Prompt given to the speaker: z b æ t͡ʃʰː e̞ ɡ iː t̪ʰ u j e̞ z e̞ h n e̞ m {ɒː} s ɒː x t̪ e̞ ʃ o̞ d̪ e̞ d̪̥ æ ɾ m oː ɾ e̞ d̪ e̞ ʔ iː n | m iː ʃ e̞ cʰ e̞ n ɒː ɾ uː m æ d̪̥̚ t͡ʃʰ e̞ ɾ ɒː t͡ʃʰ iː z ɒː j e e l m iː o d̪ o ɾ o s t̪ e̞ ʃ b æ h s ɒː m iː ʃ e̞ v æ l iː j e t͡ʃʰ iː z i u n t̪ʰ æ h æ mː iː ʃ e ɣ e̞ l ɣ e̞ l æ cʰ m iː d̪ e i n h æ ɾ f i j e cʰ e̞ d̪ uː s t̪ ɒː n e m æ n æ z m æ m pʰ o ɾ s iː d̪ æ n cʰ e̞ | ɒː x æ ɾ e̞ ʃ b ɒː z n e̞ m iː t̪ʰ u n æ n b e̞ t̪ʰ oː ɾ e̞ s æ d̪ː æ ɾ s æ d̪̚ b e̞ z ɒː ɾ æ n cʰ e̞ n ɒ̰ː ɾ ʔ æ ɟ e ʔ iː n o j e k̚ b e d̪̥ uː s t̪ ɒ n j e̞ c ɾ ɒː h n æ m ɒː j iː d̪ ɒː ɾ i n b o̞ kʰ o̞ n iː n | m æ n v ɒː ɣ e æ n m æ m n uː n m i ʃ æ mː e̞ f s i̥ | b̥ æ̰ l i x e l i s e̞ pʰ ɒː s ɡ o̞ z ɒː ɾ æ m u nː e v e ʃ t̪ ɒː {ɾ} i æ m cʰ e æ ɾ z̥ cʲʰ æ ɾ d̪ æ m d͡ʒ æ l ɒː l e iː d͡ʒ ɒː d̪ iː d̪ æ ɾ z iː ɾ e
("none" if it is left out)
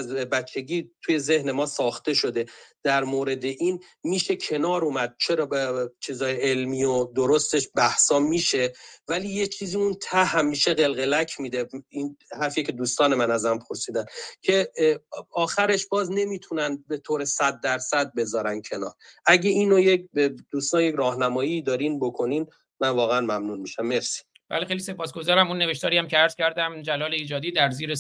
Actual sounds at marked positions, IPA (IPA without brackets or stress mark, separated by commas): ɒː, ɾ